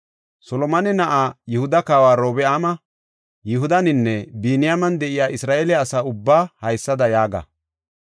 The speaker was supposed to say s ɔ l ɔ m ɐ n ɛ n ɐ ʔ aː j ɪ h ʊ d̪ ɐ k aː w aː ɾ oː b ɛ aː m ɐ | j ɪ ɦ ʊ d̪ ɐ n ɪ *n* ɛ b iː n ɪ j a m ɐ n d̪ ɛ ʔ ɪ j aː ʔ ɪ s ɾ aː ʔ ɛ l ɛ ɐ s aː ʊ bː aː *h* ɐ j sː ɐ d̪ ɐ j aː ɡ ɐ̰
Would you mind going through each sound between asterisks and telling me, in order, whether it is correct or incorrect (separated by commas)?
incorrect, correct